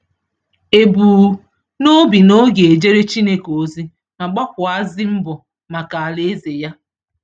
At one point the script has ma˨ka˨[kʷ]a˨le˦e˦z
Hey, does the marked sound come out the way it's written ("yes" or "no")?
no